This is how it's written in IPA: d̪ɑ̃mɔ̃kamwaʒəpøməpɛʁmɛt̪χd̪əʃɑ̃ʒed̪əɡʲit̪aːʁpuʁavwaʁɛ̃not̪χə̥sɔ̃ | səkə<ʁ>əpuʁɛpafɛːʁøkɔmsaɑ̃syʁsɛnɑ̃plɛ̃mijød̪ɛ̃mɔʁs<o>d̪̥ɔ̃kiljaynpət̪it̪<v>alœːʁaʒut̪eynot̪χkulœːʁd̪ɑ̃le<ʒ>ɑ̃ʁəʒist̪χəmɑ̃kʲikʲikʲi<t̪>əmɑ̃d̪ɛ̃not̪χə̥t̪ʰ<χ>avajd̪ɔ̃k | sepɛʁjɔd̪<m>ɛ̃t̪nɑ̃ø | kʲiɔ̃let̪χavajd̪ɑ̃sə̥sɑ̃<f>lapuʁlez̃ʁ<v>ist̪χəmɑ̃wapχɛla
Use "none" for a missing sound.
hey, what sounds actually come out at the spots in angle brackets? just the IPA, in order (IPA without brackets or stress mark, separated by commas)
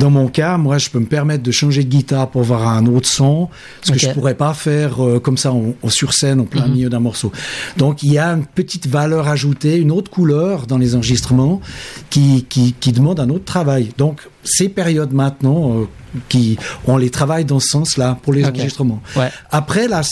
ʒ, o, v, z, d̪, χ, m, s, ʒ